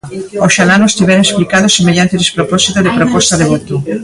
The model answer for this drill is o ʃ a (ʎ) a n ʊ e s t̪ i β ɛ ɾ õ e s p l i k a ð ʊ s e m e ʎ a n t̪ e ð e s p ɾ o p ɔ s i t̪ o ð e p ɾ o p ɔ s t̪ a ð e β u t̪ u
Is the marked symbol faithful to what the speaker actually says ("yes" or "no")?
no